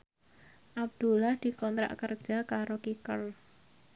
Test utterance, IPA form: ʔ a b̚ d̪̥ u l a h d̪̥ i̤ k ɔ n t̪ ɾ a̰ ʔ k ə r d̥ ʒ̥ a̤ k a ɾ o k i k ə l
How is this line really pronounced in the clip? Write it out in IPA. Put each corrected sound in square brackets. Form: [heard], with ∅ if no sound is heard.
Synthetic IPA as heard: ʔ a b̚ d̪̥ u l a h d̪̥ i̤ k ɔ n t̪ ɾ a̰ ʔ k ə r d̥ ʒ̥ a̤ k a ɾ o k i k ə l